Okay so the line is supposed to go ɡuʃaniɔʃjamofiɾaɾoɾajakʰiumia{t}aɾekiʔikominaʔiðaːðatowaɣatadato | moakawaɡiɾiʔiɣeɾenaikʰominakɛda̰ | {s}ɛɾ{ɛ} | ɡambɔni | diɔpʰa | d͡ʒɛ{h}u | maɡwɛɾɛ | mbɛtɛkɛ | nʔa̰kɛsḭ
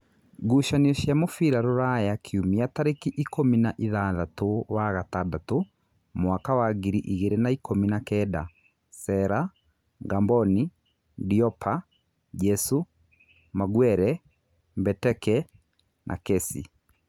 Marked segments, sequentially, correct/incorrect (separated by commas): correct, correct, incorrect, incorrect